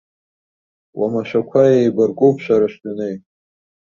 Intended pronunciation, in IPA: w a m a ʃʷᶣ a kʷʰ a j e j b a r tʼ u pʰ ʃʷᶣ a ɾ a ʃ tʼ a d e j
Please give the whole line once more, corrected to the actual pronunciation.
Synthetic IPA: w a m a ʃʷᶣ a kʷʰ a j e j b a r kʼ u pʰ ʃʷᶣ a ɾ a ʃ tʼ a n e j